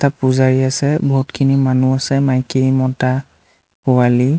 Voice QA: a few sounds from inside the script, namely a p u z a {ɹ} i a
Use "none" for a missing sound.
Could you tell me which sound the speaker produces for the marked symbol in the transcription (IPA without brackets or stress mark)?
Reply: ɹ